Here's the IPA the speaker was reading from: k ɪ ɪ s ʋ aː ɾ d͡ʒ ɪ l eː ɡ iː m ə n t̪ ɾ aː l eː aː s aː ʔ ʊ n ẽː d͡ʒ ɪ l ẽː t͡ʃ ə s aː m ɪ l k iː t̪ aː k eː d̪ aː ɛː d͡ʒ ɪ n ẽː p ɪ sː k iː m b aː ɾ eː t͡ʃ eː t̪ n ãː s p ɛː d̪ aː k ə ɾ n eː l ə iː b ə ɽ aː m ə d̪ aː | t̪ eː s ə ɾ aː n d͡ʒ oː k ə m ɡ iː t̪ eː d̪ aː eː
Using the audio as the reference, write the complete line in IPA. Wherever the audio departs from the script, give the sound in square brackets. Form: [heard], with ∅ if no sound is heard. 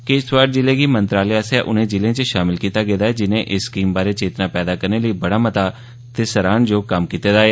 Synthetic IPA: k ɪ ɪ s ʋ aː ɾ d͡ʒ ɪ l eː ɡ iː m ə n t̪ ɾ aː l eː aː s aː ʔ ʊ n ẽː d͡ʒ ɪ l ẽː t͡ʃ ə [ʃ] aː m ɪ l k iː t̪ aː [ɡ] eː d̪ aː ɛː d͡ʒ ɪ n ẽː [ʔ] ɪ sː k iː m b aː ɾ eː t͡ʃ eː t̪ n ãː [∅] p ɛː d̪ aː k ə ɾ n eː l ə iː b ə ɽ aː m ə [t̪] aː | t̪ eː s ə ɾ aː n d͡ʒ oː k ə m [k] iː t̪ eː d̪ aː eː

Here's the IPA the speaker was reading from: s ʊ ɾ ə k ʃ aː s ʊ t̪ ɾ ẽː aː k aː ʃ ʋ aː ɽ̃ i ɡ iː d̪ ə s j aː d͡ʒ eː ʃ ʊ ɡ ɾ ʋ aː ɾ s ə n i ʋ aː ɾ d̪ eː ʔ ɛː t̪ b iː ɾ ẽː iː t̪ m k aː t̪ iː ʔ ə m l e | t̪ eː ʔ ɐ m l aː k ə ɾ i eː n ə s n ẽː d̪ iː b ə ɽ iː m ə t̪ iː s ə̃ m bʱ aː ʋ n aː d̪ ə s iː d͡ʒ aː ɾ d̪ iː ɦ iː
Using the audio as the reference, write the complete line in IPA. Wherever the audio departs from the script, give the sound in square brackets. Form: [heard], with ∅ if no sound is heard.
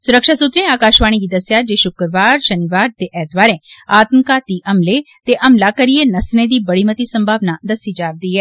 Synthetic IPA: s ʊ ɾ ə k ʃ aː s ʊ t̪ ɾ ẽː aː k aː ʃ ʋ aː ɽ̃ i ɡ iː d̪ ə s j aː d͡ʒ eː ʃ ʊ [k] ɾ ʋ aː ɾ [ʃ] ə n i ʋ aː ɾ [t̪] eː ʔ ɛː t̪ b [aː] ɾ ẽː [aː] t̪ m k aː t̪ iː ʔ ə m l e | t̪ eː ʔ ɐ m l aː k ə ɾ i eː n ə s n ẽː d̪ iː b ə ɽ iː m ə t̪ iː s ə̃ m bʱ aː ʋ n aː d̪ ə s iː d͡ʒ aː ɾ d̪ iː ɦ [ɛː]

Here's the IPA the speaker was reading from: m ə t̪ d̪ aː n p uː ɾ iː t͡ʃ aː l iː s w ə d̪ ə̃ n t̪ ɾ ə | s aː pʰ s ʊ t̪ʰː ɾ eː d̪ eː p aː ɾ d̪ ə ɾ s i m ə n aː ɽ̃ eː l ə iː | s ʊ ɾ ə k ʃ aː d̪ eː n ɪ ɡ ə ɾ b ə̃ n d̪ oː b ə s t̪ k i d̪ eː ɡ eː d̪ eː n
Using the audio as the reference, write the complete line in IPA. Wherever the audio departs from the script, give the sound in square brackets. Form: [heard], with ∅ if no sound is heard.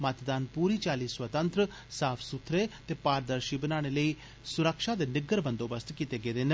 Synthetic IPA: m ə t̪ d̪ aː n p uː ɾ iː t͡ʃ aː l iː s w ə [t̪] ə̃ n t̪ ɾ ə | s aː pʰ s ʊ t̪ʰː ɾ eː [t̪] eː p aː ɾ d̪ ə ɾ [ʃ] i [b] ə n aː ɽ̃ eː l ə iː | s ʊ ɾ ə k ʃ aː d̪ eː n ɪ ɡ ə ɾ b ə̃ n d̪ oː b ə s t̪ k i [t̪] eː ɡ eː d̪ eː n

